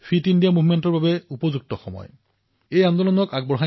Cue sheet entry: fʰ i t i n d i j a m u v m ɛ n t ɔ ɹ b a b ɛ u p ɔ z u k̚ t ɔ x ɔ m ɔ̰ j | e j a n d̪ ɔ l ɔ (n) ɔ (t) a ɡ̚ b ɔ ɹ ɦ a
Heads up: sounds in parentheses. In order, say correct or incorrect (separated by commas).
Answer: correct, incorrect